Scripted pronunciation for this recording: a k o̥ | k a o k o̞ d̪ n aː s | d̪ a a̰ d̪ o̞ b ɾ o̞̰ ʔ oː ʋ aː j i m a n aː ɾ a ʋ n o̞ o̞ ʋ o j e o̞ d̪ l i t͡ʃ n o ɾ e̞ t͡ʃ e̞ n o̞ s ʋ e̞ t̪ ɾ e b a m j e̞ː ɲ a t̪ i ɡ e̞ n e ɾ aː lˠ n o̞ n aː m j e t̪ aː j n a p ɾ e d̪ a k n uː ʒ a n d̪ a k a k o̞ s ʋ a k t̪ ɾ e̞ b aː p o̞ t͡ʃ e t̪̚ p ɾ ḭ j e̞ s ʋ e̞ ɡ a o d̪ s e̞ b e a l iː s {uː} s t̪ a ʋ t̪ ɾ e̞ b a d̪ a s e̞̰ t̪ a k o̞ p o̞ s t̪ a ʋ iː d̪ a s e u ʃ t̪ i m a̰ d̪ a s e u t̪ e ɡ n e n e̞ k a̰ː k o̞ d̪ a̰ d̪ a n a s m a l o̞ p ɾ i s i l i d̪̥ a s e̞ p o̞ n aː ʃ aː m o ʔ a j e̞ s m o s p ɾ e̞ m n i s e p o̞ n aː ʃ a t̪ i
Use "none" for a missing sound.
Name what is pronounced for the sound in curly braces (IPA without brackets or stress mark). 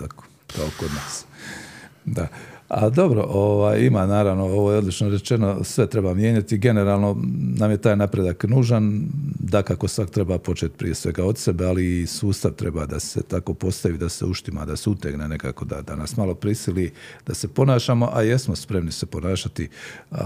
uː